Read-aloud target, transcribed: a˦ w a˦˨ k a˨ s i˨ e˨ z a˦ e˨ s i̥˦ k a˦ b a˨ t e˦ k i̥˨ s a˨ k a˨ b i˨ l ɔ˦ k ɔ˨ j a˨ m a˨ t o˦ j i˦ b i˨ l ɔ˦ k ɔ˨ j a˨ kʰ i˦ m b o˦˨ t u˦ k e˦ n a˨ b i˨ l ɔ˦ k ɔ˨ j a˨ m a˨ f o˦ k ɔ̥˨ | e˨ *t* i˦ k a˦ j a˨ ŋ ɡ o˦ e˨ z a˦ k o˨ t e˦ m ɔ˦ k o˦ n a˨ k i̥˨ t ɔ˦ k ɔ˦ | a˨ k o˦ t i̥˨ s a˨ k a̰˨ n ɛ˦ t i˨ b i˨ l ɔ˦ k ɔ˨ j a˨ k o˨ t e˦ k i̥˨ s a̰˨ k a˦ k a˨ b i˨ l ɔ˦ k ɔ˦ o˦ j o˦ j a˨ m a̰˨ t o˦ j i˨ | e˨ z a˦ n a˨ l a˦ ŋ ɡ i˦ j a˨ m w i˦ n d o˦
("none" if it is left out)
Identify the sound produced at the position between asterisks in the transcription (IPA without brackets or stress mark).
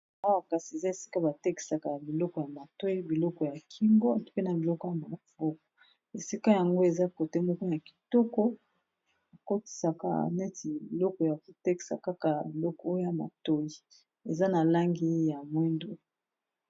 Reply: s